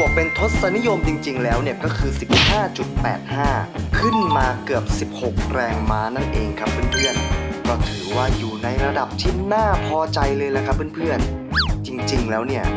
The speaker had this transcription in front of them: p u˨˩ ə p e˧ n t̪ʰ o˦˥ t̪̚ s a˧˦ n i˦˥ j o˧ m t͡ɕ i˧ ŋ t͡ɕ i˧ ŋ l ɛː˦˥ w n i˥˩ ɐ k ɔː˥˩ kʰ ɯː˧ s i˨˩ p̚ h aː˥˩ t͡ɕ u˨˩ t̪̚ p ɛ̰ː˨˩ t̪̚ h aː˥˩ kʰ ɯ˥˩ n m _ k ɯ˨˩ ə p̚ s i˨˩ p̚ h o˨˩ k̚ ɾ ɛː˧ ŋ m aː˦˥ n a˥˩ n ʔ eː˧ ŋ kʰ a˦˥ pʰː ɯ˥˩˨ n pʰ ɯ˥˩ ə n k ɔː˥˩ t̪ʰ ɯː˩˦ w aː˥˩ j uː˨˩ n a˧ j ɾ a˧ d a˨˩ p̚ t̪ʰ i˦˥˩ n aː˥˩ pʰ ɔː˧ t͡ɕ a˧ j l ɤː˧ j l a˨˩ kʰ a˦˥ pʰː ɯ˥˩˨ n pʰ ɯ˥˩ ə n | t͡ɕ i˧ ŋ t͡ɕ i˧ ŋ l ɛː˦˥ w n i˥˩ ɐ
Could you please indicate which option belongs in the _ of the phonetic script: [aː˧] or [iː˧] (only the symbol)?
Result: aː˧